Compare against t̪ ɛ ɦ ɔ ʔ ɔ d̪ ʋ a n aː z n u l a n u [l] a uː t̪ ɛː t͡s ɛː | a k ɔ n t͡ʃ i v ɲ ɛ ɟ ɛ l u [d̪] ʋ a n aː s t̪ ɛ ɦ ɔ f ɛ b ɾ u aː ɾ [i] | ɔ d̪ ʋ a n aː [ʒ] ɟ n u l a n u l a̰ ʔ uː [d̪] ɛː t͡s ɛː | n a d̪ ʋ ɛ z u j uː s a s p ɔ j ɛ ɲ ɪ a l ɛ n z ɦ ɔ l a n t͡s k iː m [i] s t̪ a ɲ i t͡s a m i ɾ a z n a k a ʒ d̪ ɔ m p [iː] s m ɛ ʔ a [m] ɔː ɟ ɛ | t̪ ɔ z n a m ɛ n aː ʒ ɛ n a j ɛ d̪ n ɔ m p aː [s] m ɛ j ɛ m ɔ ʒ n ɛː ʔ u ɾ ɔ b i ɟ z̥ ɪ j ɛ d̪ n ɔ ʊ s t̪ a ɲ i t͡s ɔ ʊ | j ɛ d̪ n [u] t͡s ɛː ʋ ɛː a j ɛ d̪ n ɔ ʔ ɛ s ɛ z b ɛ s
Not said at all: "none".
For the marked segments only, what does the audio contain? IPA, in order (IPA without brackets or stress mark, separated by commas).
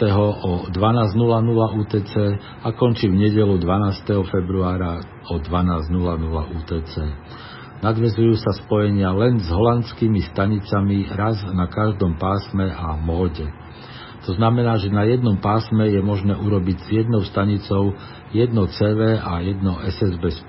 l, d̪, a, z, t̪, i, aː, m, s, ɔ